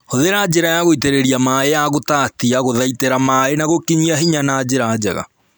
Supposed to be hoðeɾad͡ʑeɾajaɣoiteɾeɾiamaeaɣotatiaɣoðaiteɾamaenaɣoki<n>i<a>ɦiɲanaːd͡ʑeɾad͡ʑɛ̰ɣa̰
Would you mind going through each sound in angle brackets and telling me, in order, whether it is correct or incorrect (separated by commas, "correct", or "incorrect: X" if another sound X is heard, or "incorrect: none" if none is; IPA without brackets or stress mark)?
incorrect: ɲ, correct